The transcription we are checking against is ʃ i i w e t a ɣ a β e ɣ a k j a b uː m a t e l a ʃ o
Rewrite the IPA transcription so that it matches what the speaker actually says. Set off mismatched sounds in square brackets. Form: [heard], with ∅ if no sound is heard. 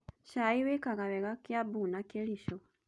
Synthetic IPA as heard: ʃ [a] i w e [k] a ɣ a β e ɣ a k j a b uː [n] a [k] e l [i] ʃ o